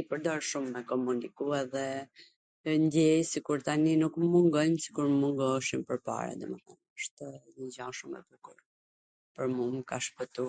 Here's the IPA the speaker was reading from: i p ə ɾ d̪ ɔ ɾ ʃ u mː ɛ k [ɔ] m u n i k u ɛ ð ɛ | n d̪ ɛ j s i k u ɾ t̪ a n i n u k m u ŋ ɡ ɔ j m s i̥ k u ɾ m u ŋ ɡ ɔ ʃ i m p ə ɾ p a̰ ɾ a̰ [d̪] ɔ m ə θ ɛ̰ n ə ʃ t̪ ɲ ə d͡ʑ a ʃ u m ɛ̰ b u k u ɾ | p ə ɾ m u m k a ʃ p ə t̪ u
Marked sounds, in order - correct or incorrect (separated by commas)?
correct, correct